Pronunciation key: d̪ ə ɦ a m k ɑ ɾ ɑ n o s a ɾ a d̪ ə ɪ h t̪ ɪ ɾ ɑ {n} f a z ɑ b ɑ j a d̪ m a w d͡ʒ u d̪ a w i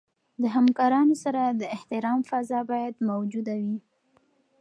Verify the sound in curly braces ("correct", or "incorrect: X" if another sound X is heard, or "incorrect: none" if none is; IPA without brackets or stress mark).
incorrect: m